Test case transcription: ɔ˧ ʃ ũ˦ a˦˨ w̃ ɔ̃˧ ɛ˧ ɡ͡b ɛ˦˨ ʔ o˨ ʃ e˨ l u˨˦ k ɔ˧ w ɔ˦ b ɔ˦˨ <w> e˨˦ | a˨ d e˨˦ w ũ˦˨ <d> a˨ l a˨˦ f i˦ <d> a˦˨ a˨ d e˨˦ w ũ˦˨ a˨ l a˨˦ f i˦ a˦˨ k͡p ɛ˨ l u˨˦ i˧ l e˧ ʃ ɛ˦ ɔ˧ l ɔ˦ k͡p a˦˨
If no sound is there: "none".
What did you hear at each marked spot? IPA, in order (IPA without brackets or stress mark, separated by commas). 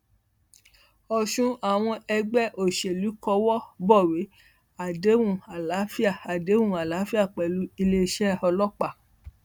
w, none, none